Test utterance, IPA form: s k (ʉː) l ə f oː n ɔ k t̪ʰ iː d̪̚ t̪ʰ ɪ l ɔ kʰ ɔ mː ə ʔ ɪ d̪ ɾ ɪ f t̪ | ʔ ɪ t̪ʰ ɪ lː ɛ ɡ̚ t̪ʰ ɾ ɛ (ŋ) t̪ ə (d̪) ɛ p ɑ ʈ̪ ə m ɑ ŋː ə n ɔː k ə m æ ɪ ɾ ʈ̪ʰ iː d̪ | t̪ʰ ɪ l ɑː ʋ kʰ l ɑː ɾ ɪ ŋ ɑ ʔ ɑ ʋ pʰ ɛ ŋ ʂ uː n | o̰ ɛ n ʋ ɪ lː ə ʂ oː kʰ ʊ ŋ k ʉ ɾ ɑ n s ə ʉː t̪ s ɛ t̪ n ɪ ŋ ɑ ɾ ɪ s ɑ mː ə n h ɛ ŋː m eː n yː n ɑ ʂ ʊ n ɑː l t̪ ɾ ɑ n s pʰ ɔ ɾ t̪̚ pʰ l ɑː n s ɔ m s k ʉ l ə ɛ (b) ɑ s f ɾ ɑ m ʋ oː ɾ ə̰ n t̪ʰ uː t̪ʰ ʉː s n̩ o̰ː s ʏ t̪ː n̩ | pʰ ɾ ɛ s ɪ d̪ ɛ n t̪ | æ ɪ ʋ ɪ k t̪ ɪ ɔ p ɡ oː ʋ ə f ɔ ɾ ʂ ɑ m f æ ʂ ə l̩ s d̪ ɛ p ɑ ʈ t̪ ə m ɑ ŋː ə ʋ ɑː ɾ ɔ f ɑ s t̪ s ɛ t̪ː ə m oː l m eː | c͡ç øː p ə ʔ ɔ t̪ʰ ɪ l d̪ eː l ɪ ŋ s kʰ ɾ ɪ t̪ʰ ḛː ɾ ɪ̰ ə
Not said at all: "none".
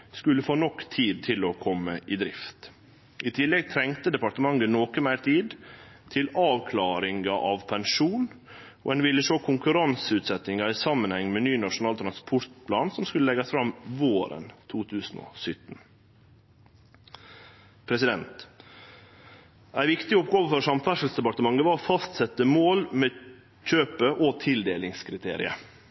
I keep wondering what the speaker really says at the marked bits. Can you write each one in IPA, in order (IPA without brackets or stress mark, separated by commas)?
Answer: ʉ, ŋ, d̪, ɡ